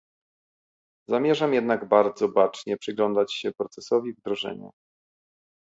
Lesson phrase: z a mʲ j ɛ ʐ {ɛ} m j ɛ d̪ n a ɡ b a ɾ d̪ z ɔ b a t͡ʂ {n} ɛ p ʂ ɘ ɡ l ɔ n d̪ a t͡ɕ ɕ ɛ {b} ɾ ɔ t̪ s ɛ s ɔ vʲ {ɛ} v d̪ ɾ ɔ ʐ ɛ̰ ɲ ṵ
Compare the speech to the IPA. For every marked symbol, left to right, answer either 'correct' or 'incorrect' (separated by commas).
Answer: incorrect, incorrect, incorrect, incorrect